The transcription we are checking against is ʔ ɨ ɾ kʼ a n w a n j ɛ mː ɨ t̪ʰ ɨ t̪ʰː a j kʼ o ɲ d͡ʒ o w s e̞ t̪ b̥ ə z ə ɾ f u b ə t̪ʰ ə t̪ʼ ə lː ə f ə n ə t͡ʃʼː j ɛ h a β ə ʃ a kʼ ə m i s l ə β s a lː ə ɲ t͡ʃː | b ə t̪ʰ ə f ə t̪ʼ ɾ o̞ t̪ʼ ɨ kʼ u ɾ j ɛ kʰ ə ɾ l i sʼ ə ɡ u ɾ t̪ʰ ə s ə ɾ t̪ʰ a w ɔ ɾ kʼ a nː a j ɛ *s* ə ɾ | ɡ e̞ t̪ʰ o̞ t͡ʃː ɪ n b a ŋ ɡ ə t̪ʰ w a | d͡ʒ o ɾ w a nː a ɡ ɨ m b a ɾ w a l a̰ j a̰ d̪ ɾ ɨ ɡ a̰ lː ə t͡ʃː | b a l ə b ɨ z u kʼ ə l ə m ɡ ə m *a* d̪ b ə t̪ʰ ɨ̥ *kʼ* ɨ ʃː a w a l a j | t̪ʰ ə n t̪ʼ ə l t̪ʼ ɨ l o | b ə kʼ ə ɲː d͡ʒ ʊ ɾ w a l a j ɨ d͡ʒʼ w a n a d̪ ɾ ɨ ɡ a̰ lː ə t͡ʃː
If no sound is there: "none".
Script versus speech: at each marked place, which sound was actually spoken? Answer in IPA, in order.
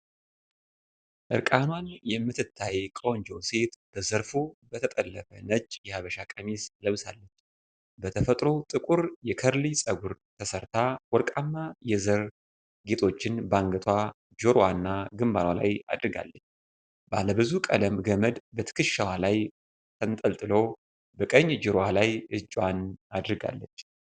z, ə, k

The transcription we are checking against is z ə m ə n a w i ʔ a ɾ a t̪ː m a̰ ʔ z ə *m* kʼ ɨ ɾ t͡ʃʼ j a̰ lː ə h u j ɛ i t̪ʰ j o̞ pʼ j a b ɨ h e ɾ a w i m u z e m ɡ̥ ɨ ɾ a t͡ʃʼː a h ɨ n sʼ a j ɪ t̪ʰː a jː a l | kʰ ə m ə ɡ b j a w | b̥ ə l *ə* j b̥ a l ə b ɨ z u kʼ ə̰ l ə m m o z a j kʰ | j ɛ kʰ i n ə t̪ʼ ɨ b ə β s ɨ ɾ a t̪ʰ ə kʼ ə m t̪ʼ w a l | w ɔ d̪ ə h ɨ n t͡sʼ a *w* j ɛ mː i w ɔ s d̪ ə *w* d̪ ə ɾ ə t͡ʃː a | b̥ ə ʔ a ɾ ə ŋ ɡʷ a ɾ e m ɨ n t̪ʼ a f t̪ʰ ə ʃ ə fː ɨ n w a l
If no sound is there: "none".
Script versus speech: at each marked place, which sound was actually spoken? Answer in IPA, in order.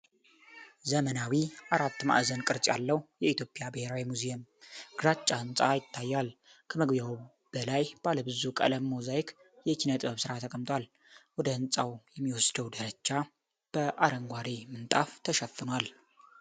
n, a, w, w

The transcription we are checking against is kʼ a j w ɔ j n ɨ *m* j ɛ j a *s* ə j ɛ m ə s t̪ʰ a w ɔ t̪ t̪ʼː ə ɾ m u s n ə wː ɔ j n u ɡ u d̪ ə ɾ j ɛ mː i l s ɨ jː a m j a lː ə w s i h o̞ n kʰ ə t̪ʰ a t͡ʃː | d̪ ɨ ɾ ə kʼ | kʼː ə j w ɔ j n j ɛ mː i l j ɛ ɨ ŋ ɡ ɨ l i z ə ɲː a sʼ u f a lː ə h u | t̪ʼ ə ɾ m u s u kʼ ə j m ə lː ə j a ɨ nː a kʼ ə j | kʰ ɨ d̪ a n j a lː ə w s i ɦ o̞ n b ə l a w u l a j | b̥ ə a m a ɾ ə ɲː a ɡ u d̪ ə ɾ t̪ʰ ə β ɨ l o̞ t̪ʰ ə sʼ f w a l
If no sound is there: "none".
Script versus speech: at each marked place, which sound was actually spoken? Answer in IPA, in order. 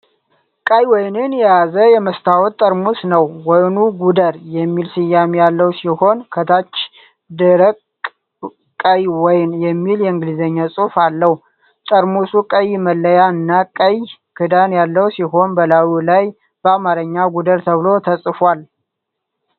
n, z

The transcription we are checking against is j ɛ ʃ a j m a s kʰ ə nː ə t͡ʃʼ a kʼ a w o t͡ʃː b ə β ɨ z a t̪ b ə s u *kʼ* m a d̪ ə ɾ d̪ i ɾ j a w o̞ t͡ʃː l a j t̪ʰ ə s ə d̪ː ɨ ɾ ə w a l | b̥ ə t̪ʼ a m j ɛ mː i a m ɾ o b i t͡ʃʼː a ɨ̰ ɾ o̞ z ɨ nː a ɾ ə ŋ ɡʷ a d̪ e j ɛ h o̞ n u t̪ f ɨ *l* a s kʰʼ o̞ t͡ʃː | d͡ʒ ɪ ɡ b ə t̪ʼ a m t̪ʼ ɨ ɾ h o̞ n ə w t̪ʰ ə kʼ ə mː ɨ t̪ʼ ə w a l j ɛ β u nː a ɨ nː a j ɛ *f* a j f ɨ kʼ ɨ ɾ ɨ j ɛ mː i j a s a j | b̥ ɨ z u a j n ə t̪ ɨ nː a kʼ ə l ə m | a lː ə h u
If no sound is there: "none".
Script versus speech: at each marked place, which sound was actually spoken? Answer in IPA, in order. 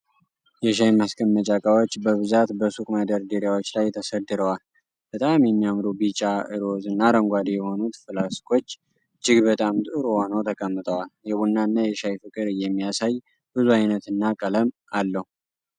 kʼ, l, ʃ

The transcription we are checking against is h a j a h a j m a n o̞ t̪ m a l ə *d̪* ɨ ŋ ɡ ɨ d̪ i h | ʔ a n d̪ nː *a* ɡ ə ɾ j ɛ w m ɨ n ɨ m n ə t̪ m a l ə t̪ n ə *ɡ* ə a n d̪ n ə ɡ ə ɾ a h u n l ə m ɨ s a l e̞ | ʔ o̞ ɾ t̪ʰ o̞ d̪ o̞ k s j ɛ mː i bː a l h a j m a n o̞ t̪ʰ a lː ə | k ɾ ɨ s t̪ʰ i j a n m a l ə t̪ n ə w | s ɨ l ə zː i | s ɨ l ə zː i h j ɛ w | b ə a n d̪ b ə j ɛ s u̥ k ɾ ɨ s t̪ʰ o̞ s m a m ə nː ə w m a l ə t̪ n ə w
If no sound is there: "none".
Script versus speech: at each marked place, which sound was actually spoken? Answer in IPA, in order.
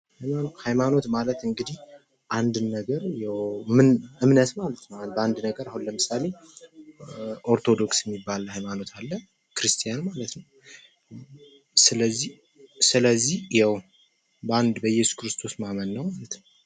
t̪, ə, b

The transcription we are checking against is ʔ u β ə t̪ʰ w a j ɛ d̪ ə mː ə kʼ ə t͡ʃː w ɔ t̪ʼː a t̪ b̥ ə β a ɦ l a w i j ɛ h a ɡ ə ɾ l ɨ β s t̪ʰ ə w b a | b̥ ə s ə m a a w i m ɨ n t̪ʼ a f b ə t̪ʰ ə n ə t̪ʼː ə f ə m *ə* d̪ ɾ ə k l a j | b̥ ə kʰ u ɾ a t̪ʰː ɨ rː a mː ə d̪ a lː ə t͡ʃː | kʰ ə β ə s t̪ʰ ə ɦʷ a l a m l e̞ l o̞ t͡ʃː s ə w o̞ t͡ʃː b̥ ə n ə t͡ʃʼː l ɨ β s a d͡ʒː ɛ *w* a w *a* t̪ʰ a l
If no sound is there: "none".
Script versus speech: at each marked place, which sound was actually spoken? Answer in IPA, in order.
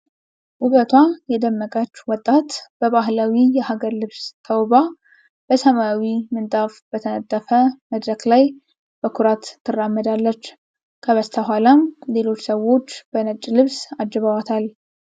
ə, β, a

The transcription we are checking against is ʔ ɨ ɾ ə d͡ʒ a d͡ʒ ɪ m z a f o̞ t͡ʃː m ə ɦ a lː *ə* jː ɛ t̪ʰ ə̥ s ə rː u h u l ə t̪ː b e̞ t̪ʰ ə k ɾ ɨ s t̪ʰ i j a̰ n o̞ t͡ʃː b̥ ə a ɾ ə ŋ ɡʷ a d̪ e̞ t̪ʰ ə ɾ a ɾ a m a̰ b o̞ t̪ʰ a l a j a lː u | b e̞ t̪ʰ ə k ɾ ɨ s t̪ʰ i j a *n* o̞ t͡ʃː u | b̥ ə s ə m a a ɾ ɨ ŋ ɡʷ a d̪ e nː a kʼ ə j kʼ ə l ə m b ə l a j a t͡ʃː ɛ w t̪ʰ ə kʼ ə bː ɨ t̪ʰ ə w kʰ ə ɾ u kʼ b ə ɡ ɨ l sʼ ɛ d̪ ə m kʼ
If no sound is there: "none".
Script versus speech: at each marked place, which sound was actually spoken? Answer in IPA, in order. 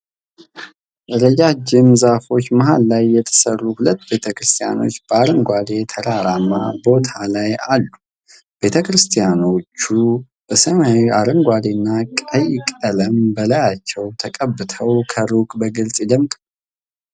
a, n

